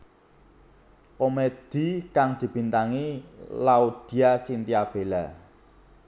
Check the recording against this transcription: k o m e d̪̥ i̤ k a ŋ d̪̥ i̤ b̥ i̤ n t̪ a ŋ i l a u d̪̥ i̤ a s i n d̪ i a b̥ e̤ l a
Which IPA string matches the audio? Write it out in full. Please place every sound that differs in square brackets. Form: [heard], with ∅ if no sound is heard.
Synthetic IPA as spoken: k o m e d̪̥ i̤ k a ŋ d̪̥ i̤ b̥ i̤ n t̪ a ŋ i l a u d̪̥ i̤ a s i n [t̪] i a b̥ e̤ l a